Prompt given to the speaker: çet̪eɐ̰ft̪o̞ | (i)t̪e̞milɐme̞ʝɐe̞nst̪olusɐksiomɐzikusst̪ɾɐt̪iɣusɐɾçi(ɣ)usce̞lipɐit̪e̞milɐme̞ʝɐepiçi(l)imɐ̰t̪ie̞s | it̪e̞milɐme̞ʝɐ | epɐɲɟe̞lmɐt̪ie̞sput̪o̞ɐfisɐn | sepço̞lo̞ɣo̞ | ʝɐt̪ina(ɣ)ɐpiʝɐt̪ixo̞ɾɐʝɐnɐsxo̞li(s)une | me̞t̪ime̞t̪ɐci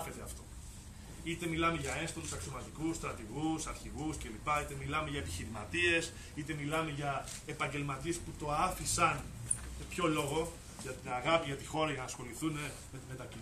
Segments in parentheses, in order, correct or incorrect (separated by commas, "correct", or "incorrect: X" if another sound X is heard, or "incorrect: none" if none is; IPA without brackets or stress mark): correct, correct, incorrect: ɾ, correct, incorrect: θ